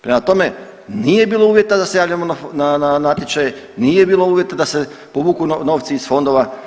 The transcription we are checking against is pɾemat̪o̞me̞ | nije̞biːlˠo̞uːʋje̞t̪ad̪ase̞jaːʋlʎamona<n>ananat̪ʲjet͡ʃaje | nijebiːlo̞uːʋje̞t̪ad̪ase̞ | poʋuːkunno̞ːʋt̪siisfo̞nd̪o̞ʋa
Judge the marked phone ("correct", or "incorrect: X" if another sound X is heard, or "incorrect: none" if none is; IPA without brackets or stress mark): correct